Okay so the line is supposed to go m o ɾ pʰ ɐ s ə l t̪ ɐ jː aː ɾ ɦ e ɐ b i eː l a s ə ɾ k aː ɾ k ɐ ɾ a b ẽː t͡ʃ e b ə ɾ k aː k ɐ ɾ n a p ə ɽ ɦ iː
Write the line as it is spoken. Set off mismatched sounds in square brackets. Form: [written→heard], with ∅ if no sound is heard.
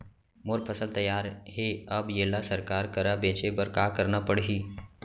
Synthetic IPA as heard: m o ɾ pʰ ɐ s ə l t̪ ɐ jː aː ɾ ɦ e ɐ b [i→j] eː l a s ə ɾ k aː ɾ k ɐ ɾ a b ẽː t͡ʃ e b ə ɾ k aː k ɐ ɾ n a p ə ɽ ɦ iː